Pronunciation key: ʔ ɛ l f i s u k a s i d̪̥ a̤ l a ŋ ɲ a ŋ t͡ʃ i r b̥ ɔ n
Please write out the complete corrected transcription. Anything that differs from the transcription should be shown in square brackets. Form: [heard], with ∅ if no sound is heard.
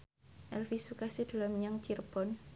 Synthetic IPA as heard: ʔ ɛ l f i s u k a s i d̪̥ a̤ l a [m] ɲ a ŋ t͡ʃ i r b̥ ɔ n